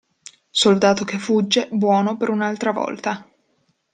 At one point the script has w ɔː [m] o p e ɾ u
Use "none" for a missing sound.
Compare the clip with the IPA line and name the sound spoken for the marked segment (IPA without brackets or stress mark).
n